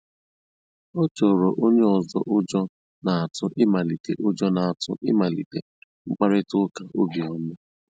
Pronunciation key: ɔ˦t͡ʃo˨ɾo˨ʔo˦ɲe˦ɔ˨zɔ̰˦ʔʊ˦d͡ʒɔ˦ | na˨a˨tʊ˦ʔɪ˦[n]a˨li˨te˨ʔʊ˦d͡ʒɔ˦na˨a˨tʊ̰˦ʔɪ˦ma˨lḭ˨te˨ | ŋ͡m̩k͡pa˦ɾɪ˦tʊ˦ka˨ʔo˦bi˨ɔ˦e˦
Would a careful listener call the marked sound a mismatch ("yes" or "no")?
yes